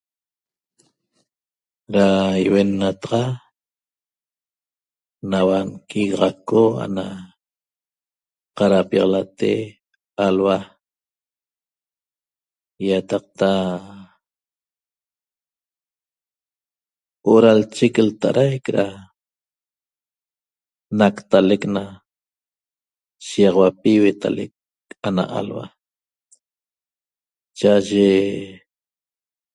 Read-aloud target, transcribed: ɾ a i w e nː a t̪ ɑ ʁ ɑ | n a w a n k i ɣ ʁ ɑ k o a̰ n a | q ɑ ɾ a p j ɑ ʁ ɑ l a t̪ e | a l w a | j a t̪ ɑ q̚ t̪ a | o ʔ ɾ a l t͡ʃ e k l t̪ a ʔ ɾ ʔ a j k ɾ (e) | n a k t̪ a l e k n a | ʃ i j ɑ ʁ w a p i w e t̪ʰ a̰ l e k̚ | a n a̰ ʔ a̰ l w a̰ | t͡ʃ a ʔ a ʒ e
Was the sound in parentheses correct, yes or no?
no